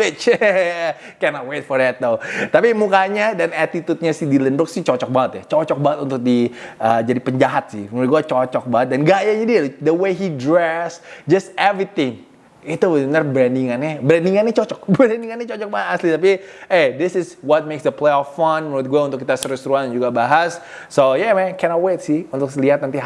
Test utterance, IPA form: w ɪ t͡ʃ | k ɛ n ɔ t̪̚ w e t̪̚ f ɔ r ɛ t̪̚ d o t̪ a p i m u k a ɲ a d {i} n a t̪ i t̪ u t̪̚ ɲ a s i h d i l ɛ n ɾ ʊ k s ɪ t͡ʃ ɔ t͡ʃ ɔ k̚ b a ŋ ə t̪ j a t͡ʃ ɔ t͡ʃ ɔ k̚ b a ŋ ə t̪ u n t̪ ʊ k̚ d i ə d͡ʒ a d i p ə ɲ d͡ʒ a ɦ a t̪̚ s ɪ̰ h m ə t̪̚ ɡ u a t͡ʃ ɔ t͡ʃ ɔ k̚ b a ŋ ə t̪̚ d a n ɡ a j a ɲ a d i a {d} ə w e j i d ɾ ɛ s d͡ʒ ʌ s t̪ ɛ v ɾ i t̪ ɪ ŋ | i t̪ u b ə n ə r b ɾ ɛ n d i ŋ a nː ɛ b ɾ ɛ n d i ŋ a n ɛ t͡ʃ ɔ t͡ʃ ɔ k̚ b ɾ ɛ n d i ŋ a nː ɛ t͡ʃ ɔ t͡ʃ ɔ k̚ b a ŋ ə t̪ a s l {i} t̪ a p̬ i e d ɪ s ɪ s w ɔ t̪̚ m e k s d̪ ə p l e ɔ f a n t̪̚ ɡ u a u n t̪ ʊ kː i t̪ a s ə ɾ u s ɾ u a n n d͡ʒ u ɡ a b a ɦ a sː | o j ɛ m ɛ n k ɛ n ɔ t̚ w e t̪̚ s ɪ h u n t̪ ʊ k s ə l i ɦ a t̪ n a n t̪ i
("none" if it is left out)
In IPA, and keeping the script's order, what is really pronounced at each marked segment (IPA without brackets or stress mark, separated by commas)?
a, d, i